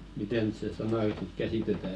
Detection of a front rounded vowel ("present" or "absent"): present